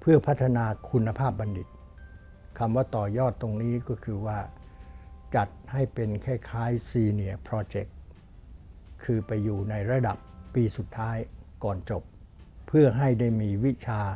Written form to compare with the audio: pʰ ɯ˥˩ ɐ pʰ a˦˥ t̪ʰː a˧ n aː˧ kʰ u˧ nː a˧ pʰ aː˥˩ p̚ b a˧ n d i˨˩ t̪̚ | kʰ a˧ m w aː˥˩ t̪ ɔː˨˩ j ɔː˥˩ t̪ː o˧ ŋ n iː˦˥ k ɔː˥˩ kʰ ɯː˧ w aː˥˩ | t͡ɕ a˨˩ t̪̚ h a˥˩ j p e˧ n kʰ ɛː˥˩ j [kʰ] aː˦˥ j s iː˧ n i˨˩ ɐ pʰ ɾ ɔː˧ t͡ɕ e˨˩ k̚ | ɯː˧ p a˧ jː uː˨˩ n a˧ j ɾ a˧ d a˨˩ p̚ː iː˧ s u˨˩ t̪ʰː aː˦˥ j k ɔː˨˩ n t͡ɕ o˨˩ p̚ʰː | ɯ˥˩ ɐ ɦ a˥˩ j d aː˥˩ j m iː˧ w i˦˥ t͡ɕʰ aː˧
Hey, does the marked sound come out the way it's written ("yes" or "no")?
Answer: yes